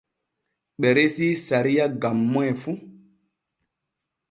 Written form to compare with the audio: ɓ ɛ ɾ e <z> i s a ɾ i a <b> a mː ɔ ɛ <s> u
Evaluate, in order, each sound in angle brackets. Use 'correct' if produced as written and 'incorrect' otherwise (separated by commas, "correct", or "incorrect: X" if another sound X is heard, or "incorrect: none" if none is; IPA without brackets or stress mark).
incorrect: s, incorrect: ɡ, incorrect: f